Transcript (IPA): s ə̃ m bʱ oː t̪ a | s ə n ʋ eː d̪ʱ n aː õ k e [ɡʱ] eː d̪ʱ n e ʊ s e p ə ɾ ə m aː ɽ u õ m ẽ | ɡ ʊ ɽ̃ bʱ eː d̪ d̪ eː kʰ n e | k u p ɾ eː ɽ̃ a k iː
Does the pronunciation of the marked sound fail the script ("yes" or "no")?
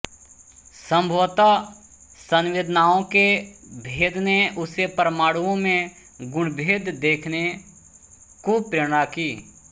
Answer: yes